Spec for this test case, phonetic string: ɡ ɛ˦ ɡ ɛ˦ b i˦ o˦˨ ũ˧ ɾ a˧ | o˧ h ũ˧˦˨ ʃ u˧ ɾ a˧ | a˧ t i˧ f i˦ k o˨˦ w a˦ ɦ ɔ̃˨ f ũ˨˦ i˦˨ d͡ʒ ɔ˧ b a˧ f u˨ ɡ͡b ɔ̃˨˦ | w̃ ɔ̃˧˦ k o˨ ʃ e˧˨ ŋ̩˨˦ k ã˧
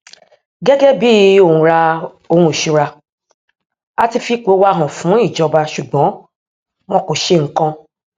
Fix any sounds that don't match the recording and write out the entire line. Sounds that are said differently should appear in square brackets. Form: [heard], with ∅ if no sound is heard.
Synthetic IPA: ɡ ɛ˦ ɡ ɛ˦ b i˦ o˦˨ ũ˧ ɾ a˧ | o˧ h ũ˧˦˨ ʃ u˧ ɾ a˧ | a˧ t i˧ f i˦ [k͡p] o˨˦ w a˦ ɦ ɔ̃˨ f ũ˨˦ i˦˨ d͡ʒ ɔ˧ b a˧ [ʃ] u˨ ɡ͡b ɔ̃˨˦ | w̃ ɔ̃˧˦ k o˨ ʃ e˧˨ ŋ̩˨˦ k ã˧